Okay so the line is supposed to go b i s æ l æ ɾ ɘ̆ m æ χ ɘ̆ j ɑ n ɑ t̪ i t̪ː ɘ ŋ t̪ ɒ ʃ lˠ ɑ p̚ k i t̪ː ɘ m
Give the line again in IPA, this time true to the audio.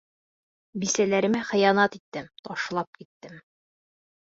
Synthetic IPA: b i s æ l æ ɾ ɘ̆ m æ χ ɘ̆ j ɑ n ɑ t̪ i t̪ː ɘ m t̪ ɒ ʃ lˠ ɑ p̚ k i t̪ː ɘ m